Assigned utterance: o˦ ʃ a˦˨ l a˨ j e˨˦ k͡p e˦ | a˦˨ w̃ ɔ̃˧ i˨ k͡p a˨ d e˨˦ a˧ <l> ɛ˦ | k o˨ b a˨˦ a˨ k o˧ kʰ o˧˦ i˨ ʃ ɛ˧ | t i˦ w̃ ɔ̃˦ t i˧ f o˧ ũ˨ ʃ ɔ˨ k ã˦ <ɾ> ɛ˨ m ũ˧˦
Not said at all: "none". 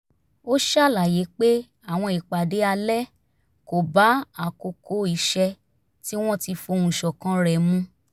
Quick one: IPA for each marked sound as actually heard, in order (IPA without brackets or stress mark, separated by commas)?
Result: l, ɾ